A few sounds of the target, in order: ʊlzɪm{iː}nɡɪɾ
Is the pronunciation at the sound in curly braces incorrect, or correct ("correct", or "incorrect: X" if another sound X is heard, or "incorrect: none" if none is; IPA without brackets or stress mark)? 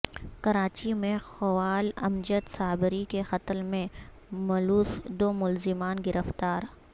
incorrect: aː